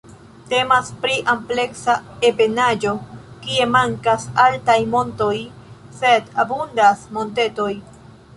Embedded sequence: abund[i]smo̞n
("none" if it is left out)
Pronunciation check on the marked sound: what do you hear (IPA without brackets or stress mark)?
a